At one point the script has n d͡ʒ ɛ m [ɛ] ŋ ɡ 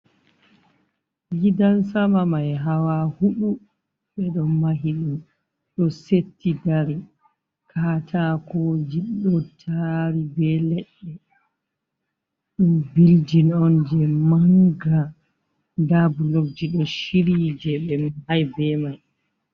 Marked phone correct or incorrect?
incorrect